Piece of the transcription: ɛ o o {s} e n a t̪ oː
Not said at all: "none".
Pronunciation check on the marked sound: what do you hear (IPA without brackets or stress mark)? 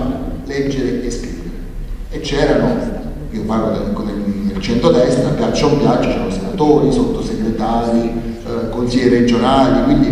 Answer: s